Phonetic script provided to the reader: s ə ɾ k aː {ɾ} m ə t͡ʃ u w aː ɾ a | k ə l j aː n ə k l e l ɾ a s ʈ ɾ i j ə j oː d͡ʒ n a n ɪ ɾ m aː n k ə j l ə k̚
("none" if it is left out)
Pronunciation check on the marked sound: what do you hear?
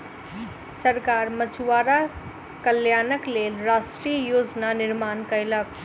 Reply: ɾ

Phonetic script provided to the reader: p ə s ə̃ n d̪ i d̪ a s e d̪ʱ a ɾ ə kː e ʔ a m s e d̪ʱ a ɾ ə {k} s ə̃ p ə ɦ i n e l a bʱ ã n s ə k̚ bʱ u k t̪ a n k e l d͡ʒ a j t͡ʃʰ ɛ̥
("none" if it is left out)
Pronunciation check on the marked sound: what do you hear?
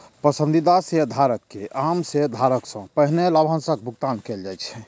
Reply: k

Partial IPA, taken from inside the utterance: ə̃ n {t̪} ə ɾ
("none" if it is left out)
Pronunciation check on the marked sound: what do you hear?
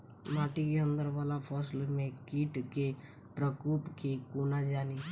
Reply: d̪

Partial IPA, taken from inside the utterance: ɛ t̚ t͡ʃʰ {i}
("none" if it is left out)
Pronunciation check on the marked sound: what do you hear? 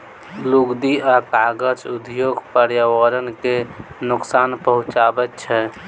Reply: ɛ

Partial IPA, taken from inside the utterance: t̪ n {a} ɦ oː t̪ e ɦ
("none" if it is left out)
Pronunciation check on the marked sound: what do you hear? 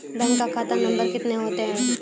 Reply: e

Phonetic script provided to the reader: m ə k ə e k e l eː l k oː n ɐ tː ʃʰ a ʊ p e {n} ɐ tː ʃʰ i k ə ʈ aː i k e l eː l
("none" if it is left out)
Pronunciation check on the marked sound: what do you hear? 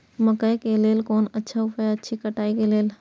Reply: none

